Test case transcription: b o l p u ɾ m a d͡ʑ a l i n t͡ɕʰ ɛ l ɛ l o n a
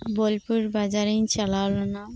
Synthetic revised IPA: b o l p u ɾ b a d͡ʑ a ɾ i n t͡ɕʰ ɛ l a l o n a